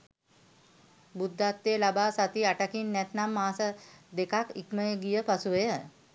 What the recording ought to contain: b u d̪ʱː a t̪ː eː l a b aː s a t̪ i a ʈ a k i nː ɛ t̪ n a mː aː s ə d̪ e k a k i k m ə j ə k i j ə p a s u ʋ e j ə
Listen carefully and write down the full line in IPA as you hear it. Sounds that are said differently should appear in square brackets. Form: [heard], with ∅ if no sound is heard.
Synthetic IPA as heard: b u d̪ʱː a t̪ː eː l a b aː s a t̪ i a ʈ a k i nː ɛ t̪ n a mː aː s ə d̪ e k a k i k m ə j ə [ɡ] i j ə p a s u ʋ e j ə